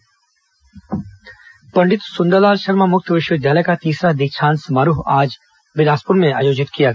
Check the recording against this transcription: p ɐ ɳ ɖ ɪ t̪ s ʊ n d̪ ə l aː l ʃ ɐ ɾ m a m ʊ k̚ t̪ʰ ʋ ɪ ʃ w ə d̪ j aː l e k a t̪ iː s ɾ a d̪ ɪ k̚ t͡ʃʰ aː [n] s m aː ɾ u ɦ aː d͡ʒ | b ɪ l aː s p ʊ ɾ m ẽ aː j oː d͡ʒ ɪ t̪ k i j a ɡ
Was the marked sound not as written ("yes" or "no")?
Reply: no